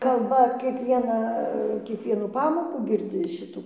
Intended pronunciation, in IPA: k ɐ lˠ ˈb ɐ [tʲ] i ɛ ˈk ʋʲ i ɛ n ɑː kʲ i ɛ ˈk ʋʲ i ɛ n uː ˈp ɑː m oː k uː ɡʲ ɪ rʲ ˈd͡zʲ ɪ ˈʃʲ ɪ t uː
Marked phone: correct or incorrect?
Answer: incorrect